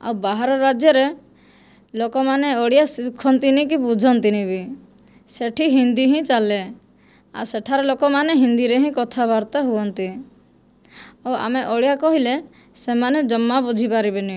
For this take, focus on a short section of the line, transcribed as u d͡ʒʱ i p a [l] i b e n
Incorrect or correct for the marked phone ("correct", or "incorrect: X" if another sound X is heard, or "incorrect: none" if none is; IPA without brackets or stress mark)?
incorrect: ɾ